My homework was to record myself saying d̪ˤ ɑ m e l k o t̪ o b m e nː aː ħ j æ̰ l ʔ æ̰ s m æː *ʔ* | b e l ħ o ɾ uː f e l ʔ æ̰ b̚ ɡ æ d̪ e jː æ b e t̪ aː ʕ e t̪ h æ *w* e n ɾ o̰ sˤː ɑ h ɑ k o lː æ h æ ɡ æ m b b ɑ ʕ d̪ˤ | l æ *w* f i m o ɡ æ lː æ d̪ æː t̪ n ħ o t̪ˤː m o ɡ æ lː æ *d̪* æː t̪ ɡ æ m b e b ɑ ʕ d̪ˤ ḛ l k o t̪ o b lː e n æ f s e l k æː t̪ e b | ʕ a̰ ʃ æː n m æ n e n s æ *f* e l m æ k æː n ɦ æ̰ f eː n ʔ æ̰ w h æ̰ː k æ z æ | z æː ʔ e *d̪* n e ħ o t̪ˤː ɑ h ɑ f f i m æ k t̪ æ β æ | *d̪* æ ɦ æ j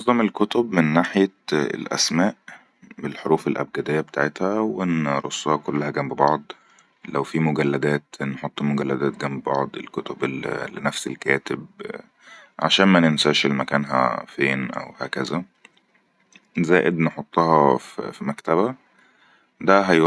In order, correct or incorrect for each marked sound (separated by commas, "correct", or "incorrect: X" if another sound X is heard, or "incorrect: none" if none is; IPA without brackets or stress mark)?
correct, correct, correct, correct, incorrect: ʃ, correct, correct